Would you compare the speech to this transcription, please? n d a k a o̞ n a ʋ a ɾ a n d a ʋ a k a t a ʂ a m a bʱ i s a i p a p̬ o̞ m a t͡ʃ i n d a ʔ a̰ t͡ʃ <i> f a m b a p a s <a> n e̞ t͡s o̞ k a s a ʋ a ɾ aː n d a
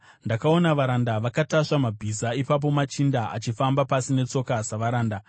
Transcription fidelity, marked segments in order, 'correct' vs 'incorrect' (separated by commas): correct, incorrect